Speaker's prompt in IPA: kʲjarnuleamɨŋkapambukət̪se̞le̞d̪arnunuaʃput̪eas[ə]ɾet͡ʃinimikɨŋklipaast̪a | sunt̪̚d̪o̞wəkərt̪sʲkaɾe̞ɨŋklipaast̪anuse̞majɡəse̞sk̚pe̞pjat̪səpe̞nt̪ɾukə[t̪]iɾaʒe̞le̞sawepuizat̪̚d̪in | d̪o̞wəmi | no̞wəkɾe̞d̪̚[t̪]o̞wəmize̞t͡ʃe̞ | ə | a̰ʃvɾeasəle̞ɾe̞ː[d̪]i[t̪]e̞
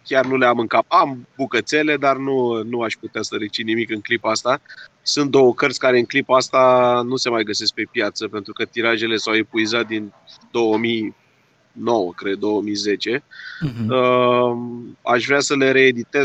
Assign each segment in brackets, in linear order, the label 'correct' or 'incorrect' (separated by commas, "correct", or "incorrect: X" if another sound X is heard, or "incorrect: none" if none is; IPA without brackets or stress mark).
correct, correct, incorrect: d̪, correct, correct